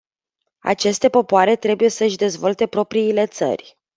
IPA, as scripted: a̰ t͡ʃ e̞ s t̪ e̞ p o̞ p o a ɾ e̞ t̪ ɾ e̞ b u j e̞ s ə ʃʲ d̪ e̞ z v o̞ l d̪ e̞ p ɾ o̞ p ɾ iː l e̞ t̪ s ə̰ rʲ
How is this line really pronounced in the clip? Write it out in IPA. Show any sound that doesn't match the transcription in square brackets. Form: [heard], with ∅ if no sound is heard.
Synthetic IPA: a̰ t͡ʃ e̞ s t̪ e̞ p o̞ p o a ɾ e̞ t̪ ɾ e̞ b u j e̞ s ə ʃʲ d̪ e̞ z v o̞ l [t̪] e̞ p ɾ o̞ p ɾ iː l e̞ t̪ s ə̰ rʲ